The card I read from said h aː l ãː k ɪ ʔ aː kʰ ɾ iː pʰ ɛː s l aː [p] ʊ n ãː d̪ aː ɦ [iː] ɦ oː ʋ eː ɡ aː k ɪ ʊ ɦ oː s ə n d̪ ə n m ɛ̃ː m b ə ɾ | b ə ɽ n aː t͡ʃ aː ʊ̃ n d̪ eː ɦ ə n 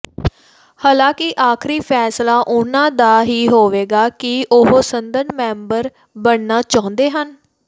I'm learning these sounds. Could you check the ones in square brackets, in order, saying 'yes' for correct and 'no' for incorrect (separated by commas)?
no, yes